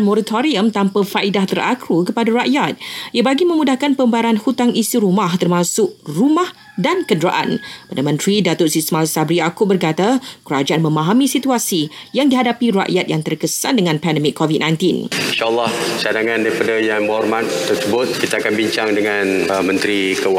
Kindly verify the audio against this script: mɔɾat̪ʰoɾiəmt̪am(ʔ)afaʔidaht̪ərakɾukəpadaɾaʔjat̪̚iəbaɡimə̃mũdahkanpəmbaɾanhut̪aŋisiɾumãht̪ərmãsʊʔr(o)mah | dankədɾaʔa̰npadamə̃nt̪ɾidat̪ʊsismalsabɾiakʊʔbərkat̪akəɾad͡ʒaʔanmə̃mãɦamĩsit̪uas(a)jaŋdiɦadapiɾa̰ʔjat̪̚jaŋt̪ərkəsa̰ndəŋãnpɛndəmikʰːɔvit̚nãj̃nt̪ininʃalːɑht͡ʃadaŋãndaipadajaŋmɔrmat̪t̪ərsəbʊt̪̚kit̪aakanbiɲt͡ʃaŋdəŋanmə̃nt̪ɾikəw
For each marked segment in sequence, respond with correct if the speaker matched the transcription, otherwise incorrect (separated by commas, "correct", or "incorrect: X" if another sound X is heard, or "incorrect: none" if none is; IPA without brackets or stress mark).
incorrect: p, incorrect: u, incorrect: i